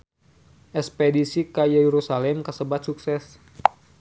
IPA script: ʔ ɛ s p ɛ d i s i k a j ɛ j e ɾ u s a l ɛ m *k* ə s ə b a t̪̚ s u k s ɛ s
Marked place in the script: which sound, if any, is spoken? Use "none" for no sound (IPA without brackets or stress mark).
k